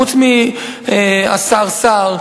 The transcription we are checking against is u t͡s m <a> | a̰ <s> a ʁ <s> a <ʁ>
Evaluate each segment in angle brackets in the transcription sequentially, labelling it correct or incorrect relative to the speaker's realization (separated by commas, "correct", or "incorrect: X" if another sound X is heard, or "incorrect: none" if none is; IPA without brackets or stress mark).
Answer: incorrect: i, correct, correct, correct